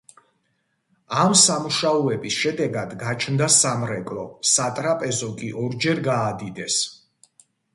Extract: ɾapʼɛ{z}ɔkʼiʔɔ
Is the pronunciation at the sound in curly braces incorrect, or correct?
correct